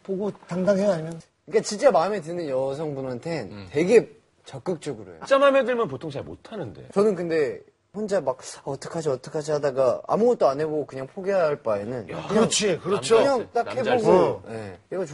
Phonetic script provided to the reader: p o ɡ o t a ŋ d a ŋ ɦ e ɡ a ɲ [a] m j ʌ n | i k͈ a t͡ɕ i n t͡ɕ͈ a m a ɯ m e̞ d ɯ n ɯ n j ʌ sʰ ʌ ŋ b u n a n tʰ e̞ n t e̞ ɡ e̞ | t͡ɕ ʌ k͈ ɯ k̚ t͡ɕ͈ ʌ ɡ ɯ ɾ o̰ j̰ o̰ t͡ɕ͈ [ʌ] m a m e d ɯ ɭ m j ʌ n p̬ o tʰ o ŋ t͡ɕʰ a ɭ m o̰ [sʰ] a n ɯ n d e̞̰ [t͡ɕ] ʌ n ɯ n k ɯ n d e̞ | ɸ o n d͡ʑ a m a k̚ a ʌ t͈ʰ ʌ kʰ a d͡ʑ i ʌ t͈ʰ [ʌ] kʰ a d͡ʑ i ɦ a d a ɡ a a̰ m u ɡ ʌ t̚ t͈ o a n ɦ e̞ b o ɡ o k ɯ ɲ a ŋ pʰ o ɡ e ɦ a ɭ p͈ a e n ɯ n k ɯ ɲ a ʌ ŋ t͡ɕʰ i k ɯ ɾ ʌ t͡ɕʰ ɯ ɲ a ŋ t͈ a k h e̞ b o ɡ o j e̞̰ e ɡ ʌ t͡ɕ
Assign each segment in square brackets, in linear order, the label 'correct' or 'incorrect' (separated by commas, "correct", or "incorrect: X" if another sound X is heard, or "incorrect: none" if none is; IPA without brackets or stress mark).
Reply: incorrect: i, incorrect: a, incorrect: tʰ, correct, correct